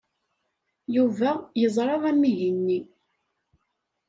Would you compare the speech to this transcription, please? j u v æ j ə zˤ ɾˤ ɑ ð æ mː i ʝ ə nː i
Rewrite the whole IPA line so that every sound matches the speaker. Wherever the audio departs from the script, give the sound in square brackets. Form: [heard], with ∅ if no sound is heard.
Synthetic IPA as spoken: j u v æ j ə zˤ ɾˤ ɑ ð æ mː i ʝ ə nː i